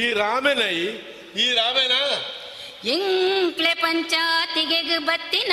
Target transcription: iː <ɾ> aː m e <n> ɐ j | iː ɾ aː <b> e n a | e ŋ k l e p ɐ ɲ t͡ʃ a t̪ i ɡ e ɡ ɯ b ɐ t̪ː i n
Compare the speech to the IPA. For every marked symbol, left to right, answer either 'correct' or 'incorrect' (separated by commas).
correct, correct, incorrect